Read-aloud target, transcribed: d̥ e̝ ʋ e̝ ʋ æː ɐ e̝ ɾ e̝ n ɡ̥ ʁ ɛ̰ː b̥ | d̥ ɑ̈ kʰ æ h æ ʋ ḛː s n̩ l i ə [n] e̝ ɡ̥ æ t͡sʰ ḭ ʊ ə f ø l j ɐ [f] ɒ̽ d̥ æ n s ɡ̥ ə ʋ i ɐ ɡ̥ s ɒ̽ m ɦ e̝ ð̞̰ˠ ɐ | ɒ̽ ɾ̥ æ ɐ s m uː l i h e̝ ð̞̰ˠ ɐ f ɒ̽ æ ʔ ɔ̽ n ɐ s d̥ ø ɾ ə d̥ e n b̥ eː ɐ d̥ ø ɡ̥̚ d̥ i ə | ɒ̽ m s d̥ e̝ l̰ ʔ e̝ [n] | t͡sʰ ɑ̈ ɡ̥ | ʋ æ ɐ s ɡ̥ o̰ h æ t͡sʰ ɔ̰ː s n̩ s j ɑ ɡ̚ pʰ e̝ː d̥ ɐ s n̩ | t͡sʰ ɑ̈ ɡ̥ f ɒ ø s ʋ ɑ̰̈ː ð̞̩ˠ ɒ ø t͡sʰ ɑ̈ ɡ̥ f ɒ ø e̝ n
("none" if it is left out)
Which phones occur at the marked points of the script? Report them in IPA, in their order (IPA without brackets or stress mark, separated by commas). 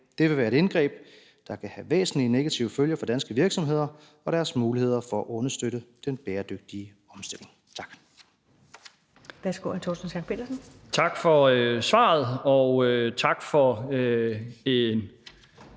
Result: n, f, ŋ